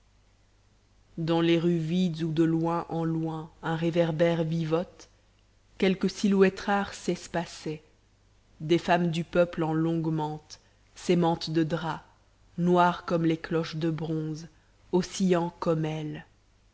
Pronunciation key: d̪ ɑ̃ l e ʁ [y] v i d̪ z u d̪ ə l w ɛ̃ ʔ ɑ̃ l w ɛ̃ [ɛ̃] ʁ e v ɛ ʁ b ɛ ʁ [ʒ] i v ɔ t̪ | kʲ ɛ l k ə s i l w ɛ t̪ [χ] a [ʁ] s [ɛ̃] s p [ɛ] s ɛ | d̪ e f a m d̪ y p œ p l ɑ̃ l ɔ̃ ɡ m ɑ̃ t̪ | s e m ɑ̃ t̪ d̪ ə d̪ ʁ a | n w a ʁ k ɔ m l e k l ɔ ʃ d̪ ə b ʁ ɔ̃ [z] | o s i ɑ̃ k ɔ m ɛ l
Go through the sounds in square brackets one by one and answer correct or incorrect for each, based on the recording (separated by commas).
correct, correct, incorrect, correct, correct, incorrect, incorrect, correct